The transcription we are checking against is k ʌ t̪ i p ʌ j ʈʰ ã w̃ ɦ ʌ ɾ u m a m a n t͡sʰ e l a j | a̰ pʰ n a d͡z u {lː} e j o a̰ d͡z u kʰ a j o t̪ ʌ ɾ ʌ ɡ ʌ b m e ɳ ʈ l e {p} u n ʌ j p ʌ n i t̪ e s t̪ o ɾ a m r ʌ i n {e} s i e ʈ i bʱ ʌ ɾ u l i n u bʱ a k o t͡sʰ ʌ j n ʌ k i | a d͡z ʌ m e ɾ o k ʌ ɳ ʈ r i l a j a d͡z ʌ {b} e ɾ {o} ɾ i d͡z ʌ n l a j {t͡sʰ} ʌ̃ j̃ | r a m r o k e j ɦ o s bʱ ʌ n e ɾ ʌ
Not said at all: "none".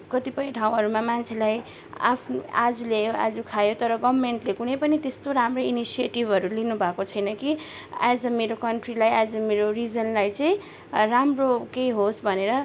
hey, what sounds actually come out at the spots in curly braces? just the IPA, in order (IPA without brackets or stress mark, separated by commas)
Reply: l, k, i, m, o, t͡s